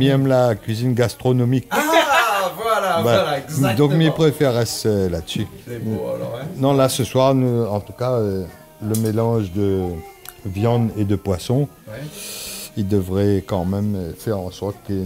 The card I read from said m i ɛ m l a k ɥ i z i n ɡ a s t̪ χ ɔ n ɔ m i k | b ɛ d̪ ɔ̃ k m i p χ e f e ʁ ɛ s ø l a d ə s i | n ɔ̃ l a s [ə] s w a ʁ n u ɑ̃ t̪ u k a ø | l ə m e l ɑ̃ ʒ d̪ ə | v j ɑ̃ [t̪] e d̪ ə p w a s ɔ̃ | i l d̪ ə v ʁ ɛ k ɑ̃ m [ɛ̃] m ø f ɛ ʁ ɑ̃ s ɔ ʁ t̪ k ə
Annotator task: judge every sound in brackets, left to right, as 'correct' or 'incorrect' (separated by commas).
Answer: correct, incorrect, incorrect